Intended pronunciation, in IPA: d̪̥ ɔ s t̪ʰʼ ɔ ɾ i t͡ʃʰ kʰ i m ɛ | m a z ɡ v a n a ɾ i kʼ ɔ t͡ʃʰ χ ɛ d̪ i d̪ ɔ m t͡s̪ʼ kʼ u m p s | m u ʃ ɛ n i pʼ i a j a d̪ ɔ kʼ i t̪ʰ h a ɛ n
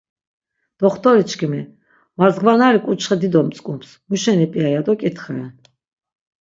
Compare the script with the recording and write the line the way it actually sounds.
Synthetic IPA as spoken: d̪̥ ɔ χ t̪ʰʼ ɔ ɾ i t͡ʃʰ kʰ i m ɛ | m a z ɡ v a n a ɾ i kʼ u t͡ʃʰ χ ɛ d̪ i d̪ ɔ m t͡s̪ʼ kʼ u m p s | m u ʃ ɛ n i pʼ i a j a d̪ ɔ kʼ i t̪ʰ χ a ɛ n